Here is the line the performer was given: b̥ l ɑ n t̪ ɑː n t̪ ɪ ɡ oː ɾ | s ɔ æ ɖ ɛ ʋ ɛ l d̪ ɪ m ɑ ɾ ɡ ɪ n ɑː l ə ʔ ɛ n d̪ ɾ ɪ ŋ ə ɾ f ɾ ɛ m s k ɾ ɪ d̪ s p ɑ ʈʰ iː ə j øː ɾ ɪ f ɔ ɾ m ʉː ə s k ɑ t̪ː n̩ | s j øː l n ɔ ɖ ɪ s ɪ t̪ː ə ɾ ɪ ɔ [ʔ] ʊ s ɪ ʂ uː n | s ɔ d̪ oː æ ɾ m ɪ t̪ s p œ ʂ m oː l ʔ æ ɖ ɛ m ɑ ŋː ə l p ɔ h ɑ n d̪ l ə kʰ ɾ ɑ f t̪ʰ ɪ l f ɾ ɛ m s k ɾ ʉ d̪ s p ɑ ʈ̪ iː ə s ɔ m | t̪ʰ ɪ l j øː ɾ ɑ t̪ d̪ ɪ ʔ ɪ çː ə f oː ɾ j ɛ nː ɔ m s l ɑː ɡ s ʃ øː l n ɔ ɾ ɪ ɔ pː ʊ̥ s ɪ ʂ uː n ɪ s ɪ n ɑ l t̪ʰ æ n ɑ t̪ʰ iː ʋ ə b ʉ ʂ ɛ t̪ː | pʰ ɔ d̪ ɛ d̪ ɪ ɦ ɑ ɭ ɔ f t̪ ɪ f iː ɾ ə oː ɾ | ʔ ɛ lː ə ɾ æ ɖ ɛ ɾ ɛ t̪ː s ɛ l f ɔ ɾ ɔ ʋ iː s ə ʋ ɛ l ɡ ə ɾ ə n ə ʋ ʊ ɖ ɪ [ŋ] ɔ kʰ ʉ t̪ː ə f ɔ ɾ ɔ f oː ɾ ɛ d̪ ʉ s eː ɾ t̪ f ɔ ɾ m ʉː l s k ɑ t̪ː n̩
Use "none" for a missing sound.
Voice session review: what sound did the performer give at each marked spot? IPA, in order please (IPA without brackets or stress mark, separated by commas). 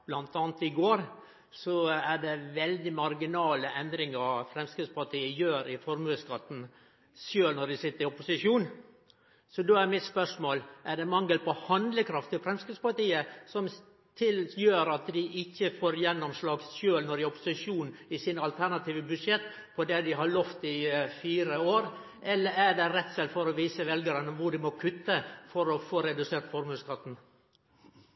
p, m